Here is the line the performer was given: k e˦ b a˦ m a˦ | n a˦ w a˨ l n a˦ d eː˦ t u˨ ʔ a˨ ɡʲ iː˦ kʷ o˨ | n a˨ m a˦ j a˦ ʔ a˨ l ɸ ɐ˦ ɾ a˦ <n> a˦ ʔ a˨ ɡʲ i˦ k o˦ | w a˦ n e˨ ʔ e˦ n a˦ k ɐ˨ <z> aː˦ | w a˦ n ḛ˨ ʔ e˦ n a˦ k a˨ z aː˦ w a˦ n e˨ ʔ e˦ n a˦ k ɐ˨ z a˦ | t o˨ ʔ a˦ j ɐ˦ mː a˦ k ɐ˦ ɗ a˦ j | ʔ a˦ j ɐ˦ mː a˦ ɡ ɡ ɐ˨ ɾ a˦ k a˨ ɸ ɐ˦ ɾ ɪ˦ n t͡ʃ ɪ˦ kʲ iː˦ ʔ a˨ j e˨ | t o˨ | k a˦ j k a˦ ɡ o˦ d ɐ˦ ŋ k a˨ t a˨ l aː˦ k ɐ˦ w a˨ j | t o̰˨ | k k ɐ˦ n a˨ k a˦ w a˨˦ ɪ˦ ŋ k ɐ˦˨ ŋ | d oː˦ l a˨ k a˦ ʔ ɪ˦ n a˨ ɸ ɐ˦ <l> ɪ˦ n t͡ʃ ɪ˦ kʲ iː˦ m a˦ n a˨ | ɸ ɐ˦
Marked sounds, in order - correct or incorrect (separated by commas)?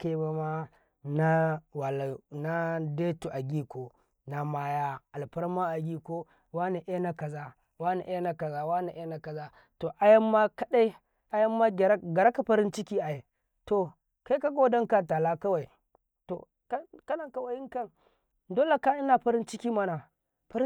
incorrect, correct, incorrect